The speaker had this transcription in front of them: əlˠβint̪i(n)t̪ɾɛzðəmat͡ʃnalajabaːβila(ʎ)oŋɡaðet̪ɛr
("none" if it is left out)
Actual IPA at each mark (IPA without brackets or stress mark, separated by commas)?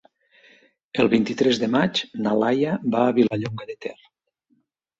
none, ʎ